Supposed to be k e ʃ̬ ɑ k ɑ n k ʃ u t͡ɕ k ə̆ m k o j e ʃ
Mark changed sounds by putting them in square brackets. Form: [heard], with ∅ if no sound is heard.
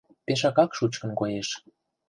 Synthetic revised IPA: [p] e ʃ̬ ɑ k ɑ [∅] k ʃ u t͡ɕ k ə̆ [n] k o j e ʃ

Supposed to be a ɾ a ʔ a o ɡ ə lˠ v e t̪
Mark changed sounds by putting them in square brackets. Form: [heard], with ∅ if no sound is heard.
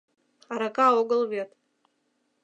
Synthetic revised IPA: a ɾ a [k] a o ɡ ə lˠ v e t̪

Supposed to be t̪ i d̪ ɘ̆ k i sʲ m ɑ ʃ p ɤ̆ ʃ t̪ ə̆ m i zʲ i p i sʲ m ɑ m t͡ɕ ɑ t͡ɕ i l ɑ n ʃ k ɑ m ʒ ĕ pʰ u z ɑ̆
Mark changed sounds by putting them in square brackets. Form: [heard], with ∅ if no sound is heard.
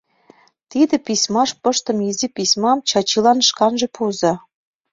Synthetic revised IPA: t̪ i d̪ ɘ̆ [p] i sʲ m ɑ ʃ p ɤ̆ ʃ t̪ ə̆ m i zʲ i p i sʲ m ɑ m t͡ɕ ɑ t͡ɕ i l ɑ n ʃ k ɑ [n] ʒ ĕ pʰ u z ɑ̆

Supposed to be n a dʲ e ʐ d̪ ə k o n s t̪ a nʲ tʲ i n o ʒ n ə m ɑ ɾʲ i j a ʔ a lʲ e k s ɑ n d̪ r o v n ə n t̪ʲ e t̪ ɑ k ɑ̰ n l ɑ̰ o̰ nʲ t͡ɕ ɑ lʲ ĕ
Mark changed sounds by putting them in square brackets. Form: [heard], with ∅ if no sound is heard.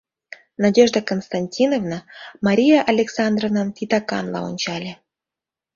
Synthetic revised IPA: n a dʲ e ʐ d̪ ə k o n s t̪ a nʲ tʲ i n o [v] n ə m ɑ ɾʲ i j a ʔ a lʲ e k s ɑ n d̪ r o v n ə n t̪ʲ [i] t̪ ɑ k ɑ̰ n l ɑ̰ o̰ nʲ t͡ɕ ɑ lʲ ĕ

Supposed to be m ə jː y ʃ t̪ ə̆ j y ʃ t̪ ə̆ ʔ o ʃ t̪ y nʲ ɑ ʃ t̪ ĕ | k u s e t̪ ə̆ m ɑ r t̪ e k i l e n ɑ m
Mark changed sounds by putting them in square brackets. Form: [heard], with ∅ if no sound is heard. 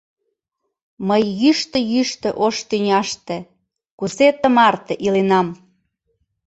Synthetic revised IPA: m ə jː y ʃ t̪ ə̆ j y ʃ t̪ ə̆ ʔ o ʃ t̪ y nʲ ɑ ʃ t̪ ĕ | k u s e t̪ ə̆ m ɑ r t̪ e [ʔ] i l e n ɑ m

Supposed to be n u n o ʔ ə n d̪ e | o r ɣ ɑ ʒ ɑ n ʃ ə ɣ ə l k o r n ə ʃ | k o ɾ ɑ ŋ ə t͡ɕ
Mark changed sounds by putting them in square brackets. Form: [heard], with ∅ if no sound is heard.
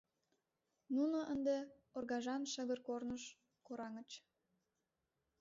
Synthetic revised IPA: n u n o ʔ ə n d̪ e | o r ɣ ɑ ʒ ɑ n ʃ ə ɣ ə [r] k o r n ə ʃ | k o ɾ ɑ ŋ ə t͡ɕ

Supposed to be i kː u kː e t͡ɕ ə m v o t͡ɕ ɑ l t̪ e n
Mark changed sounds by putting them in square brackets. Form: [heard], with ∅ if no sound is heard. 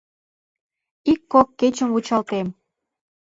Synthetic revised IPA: i kː [o] kː e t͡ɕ ə m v [u] t͡ɕ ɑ l t̪ e [m]

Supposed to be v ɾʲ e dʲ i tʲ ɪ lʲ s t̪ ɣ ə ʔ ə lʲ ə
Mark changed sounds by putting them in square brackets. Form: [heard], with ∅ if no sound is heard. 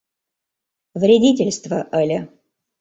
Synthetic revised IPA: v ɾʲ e dʲ i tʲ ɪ lʲ s t̪ [v] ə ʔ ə lʲ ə

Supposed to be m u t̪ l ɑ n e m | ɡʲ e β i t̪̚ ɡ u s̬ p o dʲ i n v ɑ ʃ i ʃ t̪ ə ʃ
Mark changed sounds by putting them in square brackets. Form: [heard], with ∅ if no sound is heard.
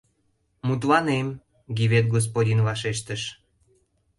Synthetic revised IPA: m u t̪ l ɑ n e m | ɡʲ [i] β [e] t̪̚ ɡ [o] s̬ p o dʲ i n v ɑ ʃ [e] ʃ t̪ ə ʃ

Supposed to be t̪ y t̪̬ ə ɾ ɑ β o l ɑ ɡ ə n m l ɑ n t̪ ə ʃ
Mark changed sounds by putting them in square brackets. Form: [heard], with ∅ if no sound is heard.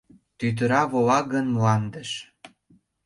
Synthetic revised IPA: t̪ y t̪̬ ə ɾ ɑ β o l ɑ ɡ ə n m l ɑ n [d̪] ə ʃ

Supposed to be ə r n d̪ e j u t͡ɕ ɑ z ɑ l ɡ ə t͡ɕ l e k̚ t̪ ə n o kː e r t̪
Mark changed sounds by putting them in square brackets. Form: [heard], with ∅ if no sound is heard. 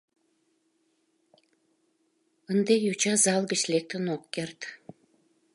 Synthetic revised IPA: ə [∅] n d̪ e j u t͡ɕ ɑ z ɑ l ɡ ə t͡ɕ l e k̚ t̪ ə n o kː e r t̪

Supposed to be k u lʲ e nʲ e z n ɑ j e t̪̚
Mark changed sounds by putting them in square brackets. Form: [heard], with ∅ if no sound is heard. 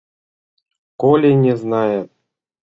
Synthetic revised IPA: k [o] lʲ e nʲ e z n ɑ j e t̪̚

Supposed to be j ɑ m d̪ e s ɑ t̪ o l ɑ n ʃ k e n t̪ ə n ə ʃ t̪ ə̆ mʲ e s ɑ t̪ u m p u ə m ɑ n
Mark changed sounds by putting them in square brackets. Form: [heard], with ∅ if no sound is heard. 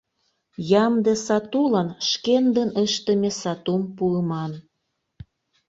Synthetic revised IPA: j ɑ m d̪ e s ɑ t̪ [u] l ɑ n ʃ k e n [d̪] ə n ə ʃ t̪ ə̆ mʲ e s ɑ t̪ u m p u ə m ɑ n

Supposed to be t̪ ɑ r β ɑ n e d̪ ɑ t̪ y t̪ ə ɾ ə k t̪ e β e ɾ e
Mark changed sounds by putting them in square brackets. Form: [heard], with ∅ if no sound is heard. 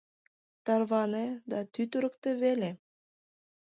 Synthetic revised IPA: t̪ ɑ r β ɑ n e d̪ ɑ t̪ y t̪ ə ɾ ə k t̪ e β e [l] e

